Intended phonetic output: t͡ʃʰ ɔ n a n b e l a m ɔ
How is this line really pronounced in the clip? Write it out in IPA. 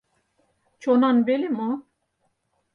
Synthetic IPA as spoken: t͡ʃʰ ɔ n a n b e l i m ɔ